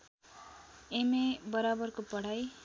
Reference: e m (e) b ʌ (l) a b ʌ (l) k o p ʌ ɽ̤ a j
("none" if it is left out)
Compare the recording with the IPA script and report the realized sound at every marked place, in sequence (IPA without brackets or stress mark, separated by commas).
e, ɾ, r